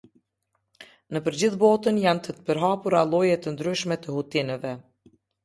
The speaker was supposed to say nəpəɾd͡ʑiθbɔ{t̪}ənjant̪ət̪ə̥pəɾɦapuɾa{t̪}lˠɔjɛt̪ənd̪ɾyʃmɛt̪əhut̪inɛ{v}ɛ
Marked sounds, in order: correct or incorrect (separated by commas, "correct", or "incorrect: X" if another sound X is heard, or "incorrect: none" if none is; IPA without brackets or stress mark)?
correct, incorrect: none, correct